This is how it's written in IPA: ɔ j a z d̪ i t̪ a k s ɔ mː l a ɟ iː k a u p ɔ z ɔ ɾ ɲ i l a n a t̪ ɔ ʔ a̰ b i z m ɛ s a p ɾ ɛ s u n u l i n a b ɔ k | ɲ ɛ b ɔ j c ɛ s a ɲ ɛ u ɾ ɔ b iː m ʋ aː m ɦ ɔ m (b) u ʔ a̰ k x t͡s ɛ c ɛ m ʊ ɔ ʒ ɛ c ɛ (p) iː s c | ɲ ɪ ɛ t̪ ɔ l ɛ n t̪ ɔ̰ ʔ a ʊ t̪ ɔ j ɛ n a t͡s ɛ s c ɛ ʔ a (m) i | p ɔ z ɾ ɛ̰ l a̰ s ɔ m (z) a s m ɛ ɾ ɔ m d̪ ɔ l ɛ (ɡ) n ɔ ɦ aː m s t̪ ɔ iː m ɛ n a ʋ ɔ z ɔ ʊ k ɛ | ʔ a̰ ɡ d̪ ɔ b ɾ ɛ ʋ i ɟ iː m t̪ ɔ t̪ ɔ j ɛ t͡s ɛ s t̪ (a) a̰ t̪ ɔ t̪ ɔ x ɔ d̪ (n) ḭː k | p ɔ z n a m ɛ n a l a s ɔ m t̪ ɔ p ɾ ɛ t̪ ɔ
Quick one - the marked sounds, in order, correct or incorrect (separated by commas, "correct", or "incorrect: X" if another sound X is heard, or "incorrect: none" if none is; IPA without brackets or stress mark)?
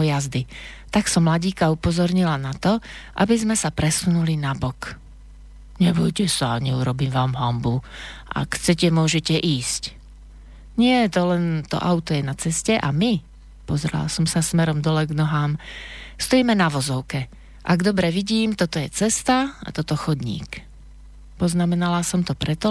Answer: correct, incorrect: ʔ, correct, incorrect: s, correct, correct, incorrect: ɲ